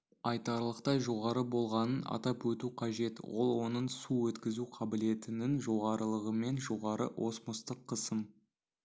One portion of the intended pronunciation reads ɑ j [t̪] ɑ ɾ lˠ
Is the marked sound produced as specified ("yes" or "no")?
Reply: yes